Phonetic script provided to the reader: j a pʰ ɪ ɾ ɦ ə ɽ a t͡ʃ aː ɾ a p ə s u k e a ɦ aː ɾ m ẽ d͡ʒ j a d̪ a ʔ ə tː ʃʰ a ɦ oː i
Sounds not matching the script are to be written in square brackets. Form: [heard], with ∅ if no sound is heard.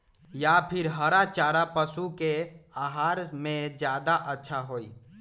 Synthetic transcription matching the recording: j a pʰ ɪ ɾ ɦ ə [ɾ] a t͡ʃ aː ɾ a p ə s u k e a ɦ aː ɾ m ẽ d͡ʒ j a d̪ a ʔ ə tː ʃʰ a ɦ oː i